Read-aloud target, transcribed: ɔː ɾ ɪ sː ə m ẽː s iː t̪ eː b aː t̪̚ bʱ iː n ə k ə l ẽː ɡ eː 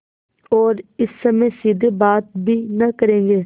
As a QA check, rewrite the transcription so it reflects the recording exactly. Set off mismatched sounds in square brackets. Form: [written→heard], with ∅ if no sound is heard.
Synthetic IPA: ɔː ɾ ɪ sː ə m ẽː s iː [t̪→d̪] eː b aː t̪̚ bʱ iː n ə k ə [l→ɾ] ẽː ɡ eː